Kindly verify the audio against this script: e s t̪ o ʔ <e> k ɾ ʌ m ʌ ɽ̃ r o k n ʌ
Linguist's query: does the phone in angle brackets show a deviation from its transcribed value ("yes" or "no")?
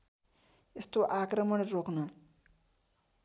yes